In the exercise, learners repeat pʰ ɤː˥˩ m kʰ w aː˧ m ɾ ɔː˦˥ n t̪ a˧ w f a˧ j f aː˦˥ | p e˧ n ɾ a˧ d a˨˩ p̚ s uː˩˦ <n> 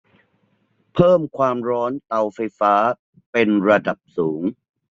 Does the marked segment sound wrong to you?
yes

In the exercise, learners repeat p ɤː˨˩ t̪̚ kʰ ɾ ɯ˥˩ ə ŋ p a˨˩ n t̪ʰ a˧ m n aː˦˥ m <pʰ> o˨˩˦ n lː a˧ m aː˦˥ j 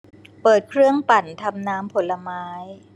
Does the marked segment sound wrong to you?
no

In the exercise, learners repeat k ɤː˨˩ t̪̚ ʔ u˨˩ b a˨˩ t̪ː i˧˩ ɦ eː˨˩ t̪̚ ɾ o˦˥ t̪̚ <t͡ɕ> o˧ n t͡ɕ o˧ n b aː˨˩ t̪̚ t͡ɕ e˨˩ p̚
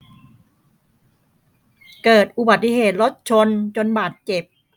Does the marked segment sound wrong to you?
yes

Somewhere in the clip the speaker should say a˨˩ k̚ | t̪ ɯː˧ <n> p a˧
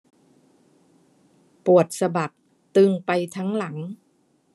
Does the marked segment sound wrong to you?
yes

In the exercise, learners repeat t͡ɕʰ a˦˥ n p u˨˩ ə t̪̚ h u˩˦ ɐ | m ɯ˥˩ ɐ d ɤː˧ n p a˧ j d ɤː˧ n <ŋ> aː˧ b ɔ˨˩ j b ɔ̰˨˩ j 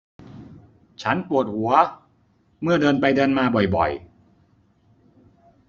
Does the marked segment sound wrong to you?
yes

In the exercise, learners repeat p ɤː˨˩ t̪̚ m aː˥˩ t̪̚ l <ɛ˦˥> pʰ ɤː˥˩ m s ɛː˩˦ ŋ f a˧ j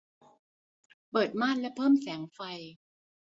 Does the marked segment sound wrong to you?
no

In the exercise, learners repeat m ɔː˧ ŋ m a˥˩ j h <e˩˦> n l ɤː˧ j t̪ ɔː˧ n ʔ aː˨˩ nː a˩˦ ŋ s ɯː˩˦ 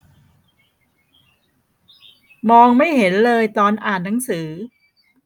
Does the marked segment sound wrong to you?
no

